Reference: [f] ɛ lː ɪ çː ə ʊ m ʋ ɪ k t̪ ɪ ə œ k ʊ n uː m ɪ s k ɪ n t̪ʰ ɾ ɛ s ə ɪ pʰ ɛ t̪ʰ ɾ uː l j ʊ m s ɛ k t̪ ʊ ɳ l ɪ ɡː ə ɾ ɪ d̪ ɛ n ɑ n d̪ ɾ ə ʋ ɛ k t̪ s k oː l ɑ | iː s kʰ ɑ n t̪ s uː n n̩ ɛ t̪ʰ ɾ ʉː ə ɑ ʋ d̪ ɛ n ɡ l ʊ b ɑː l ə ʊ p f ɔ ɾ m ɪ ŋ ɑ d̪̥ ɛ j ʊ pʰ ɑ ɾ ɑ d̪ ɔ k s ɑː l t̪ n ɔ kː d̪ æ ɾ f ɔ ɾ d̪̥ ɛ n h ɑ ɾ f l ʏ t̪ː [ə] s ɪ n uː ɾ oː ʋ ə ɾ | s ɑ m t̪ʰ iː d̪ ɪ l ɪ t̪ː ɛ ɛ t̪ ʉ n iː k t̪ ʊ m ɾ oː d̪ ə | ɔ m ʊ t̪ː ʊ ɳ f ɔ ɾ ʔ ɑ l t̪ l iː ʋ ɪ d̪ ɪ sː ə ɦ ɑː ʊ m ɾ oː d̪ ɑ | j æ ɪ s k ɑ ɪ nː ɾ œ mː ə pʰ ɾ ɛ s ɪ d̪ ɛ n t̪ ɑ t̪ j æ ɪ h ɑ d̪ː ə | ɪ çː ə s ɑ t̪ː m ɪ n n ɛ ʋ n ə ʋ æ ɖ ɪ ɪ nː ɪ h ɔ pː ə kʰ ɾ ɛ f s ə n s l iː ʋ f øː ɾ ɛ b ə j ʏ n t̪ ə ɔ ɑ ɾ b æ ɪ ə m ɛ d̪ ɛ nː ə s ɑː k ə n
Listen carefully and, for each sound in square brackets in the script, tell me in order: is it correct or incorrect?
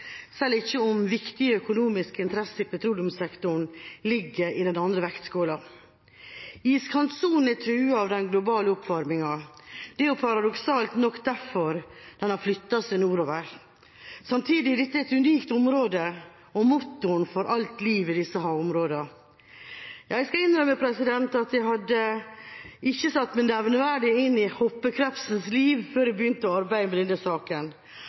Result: incorrect, incorrect

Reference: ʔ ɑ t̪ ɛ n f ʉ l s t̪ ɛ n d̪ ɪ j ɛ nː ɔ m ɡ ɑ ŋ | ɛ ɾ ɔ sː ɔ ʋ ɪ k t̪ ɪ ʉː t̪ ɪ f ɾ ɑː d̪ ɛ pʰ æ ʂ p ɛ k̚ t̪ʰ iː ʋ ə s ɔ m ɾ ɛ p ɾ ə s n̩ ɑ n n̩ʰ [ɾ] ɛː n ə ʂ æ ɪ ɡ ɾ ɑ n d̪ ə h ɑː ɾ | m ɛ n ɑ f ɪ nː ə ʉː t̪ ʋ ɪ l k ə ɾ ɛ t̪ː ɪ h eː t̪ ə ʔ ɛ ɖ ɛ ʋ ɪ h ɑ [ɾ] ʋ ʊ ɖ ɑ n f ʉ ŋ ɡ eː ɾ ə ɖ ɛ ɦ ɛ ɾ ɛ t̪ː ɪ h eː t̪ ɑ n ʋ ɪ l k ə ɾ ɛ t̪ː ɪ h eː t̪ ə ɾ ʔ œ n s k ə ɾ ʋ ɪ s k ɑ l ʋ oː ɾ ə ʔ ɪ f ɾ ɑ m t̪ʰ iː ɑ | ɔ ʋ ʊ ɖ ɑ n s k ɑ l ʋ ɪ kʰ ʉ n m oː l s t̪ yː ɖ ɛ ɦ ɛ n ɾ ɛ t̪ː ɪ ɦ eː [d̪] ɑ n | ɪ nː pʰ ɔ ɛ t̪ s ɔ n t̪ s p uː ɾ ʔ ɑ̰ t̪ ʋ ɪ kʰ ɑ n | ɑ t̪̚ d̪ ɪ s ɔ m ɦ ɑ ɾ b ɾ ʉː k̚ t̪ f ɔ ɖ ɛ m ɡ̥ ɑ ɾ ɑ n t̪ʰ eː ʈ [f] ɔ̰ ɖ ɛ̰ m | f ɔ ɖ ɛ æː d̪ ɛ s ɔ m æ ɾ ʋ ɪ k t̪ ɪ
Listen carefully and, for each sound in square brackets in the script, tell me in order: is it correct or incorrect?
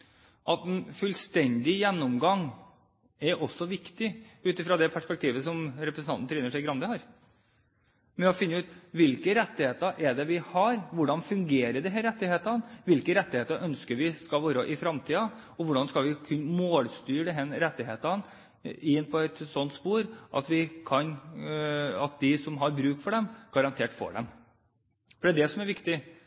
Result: correct, correct, incorrect, correct

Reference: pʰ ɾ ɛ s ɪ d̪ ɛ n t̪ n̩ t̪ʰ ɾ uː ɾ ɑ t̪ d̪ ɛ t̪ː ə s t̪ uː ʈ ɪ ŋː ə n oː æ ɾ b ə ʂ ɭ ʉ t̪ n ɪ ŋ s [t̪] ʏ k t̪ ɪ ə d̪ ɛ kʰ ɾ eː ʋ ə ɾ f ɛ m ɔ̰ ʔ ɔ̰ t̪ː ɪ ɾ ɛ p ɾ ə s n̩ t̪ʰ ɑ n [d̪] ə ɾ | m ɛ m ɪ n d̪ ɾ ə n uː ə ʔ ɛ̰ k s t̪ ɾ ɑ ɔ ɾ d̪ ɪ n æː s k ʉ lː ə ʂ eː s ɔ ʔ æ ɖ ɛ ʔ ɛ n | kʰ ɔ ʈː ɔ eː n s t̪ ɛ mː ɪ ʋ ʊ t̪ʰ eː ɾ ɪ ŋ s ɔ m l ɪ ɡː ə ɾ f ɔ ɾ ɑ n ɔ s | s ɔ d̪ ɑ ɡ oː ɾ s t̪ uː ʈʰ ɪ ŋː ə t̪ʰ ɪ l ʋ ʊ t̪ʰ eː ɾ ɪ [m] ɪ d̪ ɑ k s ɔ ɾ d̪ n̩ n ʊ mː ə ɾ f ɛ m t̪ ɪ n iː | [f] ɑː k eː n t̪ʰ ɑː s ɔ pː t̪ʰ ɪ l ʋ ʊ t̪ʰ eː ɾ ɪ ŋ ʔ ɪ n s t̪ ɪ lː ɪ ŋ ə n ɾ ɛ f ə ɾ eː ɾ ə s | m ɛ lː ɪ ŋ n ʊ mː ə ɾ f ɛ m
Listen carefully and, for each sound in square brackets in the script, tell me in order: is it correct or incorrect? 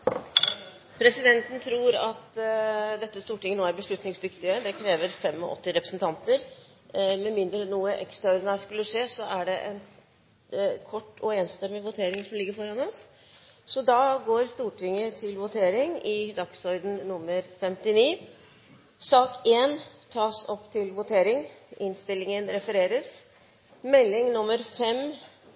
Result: incorrect, incorrect, incorrect, incorrect

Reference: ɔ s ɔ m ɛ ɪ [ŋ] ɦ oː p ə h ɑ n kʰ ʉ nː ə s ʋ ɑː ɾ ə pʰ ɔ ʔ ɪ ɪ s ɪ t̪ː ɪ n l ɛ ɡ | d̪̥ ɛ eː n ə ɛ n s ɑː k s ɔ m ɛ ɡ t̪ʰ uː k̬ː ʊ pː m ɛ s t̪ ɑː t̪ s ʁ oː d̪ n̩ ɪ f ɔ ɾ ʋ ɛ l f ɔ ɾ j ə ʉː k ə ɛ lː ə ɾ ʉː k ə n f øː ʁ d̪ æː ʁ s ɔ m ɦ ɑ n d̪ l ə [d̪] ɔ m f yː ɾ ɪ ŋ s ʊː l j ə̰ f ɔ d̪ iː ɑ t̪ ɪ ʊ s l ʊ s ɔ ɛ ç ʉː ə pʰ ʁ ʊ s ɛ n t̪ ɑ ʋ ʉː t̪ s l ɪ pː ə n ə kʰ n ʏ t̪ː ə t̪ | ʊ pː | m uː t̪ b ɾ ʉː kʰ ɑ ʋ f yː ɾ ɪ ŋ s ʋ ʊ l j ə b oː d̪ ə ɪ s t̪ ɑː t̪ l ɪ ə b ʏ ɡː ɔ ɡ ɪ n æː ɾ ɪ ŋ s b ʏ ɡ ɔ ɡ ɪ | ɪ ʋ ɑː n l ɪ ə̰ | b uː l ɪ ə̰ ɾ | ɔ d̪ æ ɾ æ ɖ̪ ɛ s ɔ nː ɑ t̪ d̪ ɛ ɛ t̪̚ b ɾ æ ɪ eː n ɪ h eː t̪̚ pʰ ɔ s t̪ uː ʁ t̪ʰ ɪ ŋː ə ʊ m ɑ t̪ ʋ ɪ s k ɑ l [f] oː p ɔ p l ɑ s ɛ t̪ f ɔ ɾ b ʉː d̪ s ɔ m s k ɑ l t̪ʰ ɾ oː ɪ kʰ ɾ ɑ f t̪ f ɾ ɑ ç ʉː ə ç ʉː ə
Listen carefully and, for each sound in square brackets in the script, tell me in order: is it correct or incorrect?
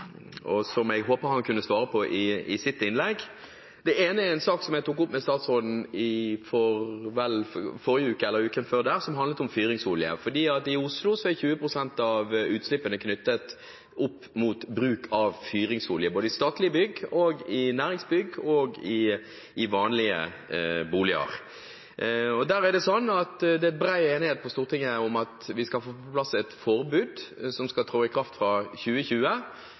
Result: incorrect, incorrect, correct

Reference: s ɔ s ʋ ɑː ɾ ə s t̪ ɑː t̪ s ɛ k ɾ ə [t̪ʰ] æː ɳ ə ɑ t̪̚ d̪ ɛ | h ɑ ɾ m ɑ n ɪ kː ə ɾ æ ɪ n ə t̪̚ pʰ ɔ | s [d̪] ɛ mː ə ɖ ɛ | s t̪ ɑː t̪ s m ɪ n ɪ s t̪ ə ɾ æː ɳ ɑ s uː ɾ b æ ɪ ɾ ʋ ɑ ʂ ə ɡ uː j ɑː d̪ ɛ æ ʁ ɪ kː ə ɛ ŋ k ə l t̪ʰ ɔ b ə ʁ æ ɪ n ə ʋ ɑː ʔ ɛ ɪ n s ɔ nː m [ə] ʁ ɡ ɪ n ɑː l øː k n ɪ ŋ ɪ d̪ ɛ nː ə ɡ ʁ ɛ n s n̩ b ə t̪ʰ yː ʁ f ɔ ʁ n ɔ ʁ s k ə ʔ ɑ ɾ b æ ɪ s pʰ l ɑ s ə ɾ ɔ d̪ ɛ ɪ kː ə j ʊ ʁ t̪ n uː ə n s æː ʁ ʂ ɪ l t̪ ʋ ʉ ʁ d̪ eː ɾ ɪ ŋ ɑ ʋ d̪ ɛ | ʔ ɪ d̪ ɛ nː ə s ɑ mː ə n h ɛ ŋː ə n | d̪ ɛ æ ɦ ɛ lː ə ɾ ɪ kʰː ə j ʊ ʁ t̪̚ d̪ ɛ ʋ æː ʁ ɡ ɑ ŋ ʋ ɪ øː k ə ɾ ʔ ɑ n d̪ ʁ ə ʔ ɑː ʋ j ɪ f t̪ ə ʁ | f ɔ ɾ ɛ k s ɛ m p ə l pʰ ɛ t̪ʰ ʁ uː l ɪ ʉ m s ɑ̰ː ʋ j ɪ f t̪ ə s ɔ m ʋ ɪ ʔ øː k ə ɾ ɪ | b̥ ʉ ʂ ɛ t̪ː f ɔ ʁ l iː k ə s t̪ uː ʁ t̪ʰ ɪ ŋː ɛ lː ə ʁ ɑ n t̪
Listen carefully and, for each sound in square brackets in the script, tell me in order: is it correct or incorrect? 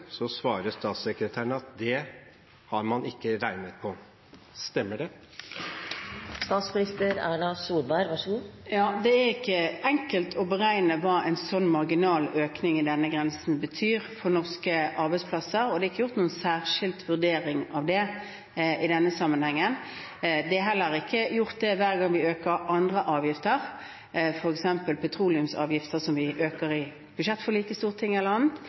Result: correct, incorrect, incorrect

